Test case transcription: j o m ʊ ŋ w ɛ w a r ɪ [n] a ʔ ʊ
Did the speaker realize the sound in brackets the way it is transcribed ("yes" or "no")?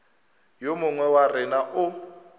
yes